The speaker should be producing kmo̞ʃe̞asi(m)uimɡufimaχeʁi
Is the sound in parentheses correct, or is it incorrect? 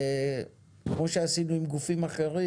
incorrect